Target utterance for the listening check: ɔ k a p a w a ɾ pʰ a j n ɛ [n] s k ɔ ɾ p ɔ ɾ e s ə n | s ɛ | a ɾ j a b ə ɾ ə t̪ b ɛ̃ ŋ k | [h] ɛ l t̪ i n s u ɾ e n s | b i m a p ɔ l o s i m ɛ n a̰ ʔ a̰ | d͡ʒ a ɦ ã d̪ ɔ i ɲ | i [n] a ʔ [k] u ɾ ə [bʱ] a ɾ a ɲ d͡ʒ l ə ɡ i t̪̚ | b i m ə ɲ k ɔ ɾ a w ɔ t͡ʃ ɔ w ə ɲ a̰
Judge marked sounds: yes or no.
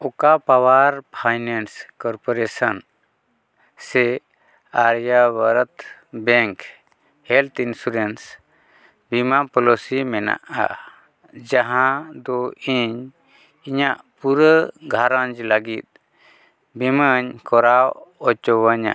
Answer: yes, yes, no, no, no

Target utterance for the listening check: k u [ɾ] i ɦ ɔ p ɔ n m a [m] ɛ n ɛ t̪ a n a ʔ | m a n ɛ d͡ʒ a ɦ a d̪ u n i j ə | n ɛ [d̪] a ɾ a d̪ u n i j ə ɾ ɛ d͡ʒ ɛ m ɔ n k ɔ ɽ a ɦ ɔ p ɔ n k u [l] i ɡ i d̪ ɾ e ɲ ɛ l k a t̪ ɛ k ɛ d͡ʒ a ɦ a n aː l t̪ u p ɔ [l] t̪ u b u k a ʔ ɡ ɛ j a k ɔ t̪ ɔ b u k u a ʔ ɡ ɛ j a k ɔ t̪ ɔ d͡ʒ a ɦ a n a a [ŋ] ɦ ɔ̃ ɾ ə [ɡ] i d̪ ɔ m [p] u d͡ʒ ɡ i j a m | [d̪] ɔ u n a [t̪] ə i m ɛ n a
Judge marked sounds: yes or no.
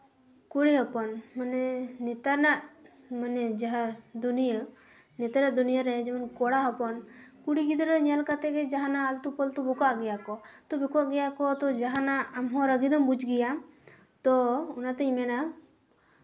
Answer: no, no, no, no, yes, no, yes, no, no, yes

